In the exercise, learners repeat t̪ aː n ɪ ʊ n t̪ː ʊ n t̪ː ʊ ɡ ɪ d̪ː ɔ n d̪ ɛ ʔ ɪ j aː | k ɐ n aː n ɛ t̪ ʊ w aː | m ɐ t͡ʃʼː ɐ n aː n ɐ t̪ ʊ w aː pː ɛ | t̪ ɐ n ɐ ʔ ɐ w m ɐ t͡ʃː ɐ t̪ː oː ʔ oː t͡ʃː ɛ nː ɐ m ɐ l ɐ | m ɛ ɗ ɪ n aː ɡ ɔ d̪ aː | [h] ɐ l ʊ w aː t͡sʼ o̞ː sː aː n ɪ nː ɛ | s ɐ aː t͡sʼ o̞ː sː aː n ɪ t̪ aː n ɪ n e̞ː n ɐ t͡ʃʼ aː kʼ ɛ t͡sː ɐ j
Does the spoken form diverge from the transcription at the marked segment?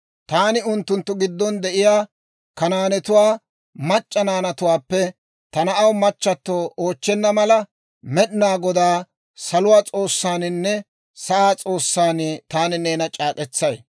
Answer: yes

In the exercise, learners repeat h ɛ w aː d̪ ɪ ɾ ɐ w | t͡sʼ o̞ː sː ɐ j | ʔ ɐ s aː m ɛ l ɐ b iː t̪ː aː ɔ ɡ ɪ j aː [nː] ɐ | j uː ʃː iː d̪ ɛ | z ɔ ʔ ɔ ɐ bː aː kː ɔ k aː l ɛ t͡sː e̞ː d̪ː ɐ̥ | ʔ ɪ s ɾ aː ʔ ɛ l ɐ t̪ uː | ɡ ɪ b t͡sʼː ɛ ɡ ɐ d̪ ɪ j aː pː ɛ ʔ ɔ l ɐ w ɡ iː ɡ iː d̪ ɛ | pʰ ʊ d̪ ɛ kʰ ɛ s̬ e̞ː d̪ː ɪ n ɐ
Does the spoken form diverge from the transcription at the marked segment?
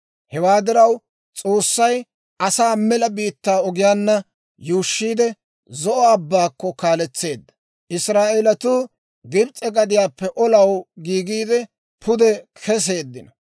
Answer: no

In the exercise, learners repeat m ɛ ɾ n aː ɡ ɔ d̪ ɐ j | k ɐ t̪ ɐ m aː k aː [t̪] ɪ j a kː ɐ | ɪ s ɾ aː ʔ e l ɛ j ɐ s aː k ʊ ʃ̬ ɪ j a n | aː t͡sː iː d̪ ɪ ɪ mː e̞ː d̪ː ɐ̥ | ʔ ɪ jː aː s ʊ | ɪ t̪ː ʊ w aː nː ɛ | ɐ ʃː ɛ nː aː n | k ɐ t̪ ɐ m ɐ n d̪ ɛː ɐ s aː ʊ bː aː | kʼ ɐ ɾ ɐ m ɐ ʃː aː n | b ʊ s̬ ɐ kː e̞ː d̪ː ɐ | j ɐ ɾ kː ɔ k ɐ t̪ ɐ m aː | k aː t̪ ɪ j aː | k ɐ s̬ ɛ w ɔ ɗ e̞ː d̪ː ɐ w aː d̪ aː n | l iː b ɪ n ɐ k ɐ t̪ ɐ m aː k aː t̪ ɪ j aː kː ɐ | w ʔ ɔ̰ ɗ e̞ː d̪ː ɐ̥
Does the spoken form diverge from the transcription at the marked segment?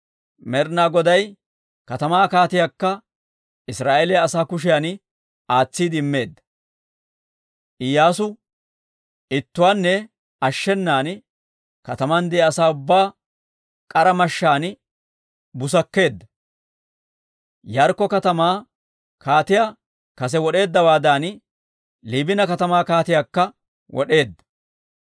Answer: no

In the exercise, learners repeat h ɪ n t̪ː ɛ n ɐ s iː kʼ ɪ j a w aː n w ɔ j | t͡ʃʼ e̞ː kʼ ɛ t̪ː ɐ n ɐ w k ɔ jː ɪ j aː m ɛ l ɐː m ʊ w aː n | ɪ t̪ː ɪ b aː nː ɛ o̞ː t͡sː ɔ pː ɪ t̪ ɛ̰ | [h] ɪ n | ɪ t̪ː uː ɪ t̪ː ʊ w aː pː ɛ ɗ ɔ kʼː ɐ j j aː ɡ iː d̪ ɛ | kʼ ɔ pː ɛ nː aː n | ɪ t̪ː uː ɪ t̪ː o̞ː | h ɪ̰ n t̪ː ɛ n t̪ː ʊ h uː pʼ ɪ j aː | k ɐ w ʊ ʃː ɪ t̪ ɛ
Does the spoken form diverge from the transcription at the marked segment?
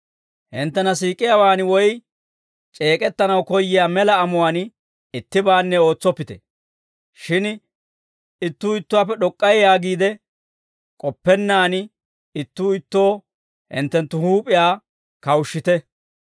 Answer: yes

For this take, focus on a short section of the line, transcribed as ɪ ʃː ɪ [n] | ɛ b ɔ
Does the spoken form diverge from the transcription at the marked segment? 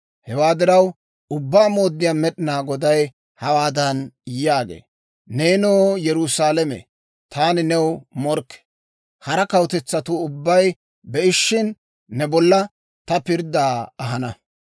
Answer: yes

